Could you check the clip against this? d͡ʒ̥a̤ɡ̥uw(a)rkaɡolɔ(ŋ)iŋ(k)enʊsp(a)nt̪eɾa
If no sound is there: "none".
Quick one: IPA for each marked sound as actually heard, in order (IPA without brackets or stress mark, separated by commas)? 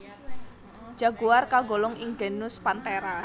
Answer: a, ŋ, ɡ, a